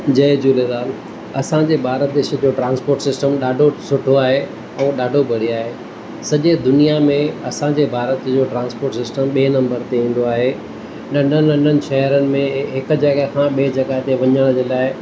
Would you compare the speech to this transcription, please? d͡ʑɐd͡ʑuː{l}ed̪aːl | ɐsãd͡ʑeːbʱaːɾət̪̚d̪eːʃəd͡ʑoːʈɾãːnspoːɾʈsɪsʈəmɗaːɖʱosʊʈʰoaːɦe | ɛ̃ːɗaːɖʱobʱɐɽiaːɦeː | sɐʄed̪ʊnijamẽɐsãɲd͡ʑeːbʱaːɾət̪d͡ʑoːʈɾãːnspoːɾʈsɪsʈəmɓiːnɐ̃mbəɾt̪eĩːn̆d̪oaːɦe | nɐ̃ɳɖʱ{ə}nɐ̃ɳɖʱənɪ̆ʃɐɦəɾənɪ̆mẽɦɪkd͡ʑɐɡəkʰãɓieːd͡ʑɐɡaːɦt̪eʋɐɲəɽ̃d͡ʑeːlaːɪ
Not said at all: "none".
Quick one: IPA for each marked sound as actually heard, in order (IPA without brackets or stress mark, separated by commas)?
l, ə